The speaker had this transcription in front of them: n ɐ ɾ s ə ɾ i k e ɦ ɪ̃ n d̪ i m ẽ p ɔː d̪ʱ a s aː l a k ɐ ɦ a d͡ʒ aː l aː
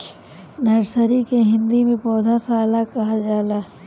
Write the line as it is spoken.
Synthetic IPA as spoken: n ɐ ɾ s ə ɾ i k e ɦ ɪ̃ n d̪ i m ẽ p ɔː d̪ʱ a s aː l a k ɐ ɦ a d͡ʒ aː l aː